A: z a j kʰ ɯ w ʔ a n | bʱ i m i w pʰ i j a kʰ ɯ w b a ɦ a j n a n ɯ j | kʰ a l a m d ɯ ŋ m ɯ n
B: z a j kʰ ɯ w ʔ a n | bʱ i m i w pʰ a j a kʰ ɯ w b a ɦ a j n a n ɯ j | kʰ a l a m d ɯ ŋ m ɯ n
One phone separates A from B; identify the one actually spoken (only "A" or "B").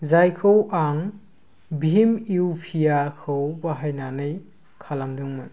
A